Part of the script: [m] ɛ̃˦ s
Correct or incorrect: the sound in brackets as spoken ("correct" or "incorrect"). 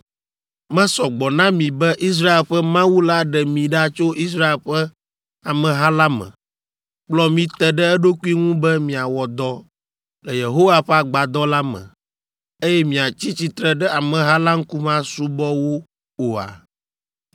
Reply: correct